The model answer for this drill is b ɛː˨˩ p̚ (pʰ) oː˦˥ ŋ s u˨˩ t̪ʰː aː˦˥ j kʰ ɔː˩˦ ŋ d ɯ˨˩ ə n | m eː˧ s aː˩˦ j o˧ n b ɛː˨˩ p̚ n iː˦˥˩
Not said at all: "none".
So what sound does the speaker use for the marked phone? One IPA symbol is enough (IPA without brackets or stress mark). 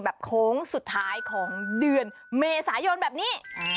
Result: kʰ